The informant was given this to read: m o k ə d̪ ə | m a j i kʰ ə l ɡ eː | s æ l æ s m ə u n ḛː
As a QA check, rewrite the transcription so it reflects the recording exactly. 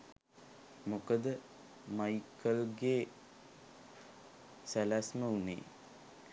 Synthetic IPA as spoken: m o k ə d̪ ə | m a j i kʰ ə l ɡ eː | s æ l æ s m ə u n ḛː

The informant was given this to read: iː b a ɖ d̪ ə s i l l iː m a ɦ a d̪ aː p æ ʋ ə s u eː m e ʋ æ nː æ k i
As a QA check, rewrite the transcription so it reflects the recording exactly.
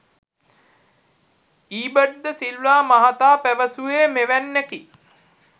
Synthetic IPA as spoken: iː b ə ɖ d̪ ə s i l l aː m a ɦ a t̪ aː p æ ʋ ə s u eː m e ʋ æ nː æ k i

